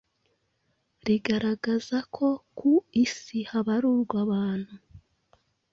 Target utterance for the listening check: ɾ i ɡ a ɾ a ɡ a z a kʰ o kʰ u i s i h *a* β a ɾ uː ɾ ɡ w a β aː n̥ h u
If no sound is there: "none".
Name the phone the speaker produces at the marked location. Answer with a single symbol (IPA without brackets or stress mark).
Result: a